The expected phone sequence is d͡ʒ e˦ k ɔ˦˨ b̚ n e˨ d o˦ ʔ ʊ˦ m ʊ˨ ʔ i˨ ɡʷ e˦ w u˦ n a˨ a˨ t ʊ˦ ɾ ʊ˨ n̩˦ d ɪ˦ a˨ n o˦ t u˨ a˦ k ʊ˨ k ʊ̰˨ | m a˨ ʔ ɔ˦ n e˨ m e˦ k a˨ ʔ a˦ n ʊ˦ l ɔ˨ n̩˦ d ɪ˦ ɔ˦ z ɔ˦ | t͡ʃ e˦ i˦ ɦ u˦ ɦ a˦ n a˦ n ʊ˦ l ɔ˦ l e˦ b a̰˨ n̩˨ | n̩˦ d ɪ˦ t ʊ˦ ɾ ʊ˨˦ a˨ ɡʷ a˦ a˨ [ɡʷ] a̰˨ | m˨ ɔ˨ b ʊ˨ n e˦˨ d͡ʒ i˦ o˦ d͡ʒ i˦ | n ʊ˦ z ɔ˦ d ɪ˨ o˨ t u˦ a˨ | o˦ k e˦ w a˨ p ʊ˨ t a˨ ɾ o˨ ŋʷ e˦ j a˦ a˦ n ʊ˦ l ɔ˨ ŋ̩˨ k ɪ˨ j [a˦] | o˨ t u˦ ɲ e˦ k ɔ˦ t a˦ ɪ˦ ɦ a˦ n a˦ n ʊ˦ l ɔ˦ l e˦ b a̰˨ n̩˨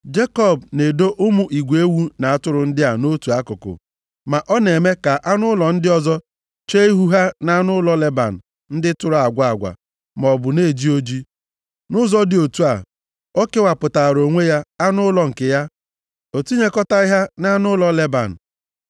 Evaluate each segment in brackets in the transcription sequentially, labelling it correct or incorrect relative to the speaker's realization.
correct, correct

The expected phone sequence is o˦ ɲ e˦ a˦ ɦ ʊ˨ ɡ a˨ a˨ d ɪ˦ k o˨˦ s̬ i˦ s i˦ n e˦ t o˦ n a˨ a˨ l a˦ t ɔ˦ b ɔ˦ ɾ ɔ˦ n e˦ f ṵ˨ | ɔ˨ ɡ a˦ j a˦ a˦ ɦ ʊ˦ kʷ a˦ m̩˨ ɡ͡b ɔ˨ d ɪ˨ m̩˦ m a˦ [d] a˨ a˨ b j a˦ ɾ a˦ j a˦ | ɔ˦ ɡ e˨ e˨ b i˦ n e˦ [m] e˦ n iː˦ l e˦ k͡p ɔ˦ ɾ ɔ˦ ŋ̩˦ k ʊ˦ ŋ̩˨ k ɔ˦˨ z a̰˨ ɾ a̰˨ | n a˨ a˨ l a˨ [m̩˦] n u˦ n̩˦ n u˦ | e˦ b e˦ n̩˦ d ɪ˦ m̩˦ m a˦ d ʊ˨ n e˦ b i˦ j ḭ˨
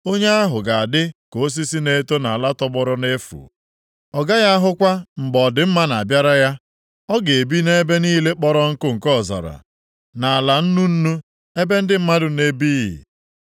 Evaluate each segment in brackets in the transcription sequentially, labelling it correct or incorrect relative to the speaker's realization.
incorrect: n, incorrect: b, incorrect: n̩˦

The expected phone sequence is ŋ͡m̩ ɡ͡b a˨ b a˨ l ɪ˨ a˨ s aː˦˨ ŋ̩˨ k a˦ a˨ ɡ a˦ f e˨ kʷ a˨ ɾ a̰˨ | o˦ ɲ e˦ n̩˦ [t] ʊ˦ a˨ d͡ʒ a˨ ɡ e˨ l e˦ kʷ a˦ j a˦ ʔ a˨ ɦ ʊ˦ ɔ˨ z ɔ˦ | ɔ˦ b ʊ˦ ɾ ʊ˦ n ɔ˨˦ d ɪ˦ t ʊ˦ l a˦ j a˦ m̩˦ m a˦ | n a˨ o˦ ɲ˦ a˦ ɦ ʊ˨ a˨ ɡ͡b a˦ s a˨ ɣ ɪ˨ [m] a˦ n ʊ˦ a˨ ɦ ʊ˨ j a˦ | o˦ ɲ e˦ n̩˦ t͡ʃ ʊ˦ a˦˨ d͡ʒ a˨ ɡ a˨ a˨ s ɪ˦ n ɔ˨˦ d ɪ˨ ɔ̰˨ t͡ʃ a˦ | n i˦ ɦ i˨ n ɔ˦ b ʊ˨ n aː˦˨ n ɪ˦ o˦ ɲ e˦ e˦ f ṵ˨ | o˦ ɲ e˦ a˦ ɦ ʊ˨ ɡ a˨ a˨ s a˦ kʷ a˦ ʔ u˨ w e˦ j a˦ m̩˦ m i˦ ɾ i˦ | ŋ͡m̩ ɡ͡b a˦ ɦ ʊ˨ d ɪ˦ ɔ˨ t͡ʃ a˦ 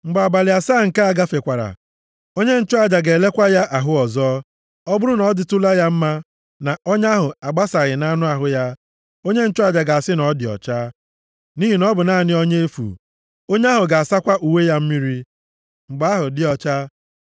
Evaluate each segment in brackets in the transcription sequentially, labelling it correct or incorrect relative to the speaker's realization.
incorrect: t͡ʃ, incorrect: n

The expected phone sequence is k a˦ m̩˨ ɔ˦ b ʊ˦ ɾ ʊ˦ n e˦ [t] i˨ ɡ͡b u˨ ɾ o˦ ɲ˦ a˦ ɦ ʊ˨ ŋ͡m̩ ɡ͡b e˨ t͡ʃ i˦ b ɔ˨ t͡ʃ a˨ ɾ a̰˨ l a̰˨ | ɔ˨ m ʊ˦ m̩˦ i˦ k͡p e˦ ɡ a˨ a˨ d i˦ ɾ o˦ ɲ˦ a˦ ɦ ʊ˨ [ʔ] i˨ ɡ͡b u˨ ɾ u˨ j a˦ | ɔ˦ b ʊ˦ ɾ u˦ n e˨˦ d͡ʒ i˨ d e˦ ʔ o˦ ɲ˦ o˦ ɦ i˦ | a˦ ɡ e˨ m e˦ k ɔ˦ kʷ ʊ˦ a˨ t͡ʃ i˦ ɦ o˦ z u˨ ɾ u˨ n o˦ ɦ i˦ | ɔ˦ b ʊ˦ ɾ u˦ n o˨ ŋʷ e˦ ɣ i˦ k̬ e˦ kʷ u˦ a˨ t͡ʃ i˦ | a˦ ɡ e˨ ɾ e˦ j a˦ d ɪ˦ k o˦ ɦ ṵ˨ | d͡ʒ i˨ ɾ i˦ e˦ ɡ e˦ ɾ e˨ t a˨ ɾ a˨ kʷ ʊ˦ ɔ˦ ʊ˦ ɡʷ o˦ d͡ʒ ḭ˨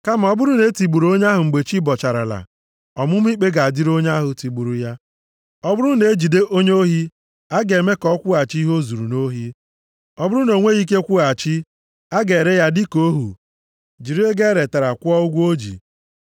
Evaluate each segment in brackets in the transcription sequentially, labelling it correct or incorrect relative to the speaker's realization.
correct, incorrect: t

